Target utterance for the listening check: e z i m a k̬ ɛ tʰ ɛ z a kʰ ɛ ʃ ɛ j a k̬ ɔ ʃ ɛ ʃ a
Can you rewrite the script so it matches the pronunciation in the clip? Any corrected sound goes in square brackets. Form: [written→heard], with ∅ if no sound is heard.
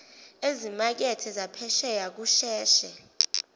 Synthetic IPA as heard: e z i m a k̬ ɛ tʰ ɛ z a [kʰ→pʰ] ɛ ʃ ɛ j a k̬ [ɔ→u] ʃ [ɛ→ɛː] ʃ [a→ɛ]